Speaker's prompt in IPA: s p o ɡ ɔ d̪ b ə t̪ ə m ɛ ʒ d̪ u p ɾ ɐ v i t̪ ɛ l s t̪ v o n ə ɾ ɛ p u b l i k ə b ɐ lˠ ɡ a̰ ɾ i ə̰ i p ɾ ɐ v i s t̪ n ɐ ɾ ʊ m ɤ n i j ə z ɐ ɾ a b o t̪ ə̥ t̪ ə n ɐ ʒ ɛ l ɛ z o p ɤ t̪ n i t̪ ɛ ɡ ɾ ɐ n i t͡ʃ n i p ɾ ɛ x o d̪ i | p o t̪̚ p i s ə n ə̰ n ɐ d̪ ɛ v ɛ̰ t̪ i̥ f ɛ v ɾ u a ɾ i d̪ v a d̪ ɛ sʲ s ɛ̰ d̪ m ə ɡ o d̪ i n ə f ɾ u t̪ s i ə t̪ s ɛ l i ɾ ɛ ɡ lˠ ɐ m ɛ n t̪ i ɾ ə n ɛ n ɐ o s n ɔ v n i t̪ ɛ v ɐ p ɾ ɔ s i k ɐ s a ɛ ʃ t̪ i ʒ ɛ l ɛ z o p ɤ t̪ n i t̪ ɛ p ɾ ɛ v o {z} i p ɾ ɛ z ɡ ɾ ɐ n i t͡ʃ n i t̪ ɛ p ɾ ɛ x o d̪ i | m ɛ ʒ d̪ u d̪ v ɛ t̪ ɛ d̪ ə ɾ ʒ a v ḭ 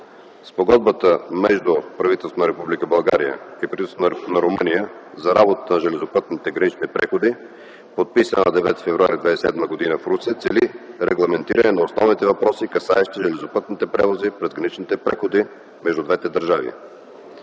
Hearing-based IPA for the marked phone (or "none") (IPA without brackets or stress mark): z